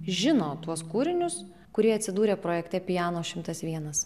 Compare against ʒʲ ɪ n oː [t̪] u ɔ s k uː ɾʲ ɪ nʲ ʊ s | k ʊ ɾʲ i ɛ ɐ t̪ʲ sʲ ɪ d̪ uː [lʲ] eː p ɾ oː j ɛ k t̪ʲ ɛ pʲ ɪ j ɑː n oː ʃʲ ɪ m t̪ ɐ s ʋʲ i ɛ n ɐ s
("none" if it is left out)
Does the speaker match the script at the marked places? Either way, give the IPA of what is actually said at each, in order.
t̪, ɾʲ

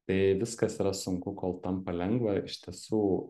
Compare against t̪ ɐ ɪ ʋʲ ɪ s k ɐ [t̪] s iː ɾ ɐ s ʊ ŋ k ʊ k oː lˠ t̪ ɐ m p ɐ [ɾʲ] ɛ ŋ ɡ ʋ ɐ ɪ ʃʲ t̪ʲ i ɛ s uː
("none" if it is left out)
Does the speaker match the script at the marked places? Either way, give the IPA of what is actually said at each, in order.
none, lʲ

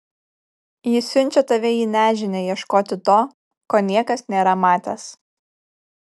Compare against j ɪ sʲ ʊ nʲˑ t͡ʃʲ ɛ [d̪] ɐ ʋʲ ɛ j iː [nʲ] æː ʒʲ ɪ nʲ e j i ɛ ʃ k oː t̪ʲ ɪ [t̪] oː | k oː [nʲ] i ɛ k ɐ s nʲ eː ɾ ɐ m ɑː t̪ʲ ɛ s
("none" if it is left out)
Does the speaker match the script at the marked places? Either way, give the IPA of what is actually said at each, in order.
t̪, nʲ, t̪, nʲ

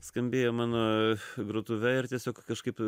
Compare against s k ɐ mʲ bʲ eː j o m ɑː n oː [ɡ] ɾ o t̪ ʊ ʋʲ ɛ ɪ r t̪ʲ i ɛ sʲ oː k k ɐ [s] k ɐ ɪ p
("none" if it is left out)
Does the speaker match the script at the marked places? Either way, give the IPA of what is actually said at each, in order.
ɡ, ʃ

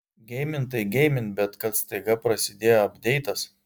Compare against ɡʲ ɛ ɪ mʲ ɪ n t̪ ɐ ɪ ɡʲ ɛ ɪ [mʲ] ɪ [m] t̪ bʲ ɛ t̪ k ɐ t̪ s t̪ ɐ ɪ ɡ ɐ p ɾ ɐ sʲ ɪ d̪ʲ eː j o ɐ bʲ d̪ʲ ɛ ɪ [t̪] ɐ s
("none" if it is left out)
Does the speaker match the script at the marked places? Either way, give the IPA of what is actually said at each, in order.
mʲ, n, t̪

